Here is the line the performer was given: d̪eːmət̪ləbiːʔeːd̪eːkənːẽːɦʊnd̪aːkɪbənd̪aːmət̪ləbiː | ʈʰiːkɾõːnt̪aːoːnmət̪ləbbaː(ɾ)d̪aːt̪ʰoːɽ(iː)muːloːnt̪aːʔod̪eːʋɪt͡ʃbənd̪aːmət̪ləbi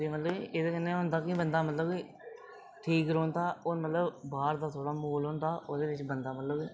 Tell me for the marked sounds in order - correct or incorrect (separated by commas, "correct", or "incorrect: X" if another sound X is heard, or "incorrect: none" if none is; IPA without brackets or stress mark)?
correct, incorrect: aː